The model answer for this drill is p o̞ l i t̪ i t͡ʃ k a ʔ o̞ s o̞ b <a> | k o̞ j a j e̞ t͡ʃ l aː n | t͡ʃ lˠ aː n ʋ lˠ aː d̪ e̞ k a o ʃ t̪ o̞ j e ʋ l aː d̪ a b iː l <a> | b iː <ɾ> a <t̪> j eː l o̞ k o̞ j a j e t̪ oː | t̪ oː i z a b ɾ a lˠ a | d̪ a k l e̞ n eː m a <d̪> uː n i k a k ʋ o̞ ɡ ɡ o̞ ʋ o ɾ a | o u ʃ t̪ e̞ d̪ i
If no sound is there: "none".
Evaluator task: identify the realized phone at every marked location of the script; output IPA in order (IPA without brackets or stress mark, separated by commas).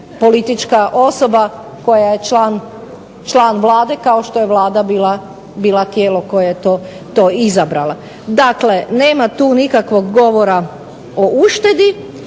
a, a, l, t̪, t̪